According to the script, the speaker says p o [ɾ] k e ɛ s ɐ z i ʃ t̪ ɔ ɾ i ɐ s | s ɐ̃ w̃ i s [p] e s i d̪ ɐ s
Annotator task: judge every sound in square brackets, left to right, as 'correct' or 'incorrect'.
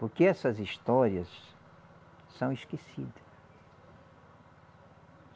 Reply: correct, incorrect: k

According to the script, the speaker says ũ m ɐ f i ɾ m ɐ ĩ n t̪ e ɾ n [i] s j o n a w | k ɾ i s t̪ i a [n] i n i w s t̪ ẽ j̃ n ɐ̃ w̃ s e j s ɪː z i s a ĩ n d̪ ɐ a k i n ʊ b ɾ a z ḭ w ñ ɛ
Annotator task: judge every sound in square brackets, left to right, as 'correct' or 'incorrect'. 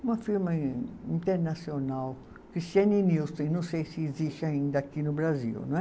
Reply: incorrect: a, correct

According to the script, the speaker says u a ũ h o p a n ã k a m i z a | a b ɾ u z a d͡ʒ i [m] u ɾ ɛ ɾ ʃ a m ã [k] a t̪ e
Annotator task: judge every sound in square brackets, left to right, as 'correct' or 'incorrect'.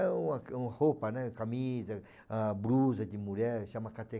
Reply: correct, correct

